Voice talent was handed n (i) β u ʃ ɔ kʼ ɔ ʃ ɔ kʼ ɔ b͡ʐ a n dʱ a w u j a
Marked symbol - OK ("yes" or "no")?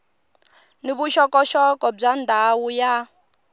yes